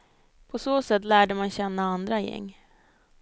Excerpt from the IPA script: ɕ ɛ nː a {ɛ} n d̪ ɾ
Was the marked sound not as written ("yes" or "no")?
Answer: yes